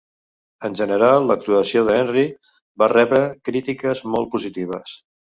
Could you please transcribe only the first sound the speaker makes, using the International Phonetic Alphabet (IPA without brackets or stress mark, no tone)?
ə